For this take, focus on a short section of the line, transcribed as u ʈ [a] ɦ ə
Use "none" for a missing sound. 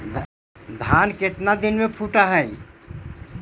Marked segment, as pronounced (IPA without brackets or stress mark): a